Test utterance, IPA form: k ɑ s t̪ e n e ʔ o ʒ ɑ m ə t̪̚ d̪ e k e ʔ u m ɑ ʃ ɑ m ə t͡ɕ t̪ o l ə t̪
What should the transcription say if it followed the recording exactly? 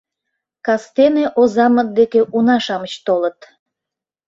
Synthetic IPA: k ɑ s t̪ e n e ʔ o z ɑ m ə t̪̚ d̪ e k e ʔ u n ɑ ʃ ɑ m ə t͡ɕ t̪ o l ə t̪